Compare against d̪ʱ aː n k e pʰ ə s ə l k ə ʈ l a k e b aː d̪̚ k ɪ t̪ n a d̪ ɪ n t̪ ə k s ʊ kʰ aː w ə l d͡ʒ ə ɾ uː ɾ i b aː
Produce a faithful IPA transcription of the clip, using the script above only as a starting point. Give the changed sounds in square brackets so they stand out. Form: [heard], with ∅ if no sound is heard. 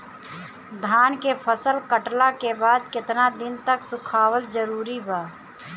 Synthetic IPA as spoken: d̪ʱ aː n k e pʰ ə s ə l k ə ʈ l a k e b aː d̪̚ k ɪ t̪ n a d̪ ɪ n t̪ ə k s ʊ kʰ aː w ə l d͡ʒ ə ɾ uː ɾ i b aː